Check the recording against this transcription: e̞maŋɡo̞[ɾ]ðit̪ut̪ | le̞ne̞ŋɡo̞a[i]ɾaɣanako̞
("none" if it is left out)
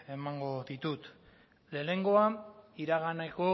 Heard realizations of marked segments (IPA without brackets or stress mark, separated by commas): none, i